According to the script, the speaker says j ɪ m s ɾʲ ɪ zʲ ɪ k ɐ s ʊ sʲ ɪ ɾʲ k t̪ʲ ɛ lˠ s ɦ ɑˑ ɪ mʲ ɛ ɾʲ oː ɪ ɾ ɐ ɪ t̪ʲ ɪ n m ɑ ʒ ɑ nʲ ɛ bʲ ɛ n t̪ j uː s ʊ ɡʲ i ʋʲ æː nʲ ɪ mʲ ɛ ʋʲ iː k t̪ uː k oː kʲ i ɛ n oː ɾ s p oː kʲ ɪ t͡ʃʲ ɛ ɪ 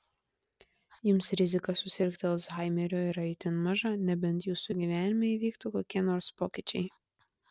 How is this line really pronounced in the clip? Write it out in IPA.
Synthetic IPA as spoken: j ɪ m s ɾʲ ɪ zʲ ɪ k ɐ s ʊ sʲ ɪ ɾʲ k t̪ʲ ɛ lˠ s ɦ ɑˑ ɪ mʲ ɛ ɾʲ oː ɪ ɾ ɐ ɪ t̪ʲ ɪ n m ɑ ʒ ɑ nʲ ɛ bʲ ɛ n t̪ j uː s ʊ ɡʲ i ʋʲ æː nʲ ɪ mʲ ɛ ʋʲ iː k t̪ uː k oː kʲ i ɛ n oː ɾ s p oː kʲ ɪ t͡ʃʲ ɛ ɪ